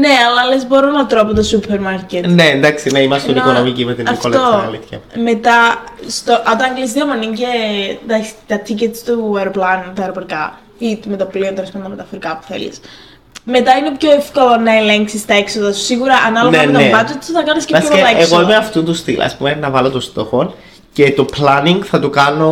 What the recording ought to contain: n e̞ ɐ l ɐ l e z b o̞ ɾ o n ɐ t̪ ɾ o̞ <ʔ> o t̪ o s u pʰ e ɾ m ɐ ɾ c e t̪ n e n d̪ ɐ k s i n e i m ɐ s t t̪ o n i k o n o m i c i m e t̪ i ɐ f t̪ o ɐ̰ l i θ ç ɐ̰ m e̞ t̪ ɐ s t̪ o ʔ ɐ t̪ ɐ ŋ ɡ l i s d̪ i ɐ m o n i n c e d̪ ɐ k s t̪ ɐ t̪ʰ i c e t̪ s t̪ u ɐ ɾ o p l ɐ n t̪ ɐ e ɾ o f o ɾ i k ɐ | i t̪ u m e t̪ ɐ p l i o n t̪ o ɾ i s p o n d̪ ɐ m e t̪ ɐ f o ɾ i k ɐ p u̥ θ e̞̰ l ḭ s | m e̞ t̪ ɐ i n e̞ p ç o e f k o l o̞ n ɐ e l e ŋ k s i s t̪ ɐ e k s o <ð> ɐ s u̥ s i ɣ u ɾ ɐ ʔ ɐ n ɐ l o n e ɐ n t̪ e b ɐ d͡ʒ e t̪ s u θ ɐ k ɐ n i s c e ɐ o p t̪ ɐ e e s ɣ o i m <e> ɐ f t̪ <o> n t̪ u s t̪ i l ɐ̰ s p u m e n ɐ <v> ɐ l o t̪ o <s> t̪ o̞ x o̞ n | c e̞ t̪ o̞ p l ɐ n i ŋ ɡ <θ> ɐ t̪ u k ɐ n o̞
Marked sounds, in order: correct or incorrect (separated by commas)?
incorrect, correct, correct, incorrect, correct, correct, correct